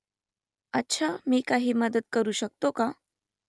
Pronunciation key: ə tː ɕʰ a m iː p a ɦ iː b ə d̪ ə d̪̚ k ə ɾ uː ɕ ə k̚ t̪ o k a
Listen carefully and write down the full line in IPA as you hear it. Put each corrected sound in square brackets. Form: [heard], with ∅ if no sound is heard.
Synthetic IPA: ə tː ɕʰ a m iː [k] a ɦ iː [m] ə d̪ ə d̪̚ k ə ɾ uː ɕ ə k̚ t̪ o k a